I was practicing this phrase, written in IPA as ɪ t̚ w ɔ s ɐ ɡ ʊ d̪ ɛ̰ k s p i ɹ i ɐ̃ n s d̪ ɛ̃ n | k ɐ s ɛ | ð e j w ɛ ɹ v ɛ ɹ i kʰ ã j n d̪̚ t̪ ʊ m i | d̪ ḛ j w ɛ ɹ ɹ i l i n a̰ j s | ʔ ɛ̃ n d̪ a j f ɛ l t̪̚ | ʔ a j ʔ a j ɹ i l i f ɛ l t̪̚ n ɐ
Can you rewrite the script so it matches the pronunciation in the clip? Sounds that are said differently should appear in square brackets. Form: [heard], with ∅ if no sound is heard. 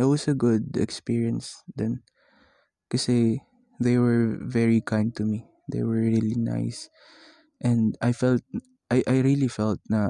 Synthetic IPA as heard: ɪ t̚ w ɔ s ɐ ɡ ʊ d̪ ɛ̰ k s p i ɹ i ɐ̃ n s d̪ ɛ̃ n | k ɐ s ɛ | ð e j w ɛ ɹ v ɛ ɹ i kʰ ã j n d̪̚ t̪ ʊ m i | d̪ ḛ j w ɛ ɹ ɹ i l i n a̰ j s | ʔ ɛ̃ n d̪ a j f ɛ l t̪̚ | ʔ a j ʔ a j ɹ i l i f ɛ l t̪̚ n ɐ